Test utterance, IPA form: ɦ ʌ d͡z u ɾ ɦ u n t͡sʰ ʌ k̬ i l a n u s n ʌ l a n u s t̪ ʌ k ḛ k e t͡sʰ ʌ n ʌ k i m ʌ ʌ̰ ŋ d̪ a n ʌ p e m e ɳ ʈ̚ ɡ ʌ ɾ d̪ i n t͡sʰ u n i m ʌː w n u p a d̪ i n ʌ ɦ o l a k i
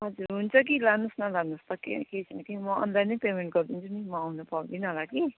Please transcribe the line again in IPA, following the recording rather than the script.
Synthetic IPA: ɦ ʌ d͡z u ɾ ɦ u n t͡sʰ ʌ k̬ i l a n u s n ʌ l a n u s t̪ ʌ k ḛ k e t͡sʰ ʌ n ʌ k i m ʌ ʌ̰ n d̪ a n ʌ p e m e ɳ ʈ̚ ɡ ʌ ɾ d̪ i n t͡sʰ u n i m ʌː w n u p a d̪ i n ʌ ɦ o l a k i